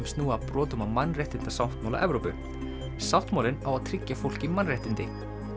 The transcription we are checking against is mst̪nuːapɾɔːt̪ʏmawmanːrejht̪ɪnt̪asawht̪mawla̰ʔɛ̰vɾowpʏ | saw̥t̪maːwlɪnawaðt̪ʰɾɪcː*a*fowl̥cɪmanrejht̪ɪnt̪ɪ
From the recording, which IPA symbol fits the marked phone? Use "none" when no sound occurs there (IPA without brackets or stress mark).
a